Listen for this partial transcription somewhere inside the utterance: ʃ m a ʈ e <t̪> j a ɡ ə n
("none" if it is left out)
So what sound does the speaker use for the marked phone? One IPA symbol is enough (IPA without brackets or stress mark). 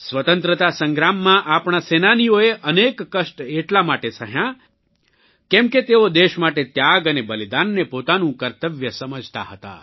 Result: t̪